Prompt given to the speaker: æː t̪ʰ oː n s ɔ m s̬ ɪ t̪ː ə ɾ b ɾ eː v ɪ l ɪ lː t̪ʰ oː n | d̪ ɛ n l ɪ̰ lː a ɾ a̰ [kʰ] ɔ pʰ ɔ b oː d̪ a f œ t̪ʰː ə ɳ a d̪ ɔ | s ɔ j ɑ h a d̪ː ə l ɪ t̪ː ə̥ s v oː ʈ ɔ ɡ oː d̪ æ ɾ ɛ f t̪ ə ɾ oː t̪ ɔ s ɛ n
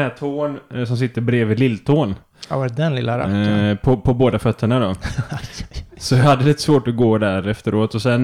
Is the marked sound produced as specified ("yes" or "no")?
no